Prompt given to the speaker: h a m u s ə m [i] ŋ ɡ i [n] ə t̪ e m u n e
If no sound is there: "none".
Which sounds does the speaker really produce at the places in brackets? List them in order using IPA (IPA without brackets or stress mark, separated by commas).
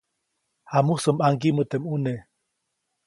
a, m